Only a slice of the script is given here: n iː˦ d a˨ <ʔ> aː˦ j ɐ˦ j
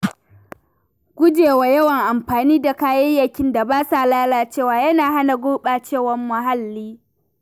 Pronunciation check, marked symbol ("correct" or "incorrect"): incorrect